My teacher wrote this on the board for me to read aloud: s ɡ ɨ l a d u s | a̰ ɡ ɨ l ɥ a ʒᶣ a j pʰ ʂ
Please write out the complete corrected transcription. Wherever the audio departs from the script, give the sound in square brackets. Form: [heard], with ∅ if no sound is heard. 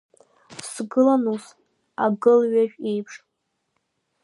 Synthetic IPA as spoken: s ɡ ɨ l a [n] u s | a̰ ɡ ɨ l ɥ a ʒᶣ [e] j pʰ ʂ